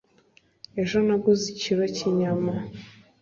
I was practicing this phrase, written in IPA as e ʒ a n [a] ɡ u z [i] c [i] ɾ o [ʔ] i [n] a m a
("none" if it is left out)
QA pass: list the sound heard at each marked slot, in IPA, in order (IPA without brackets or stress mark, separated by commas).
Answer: a, i, i, c, ɲ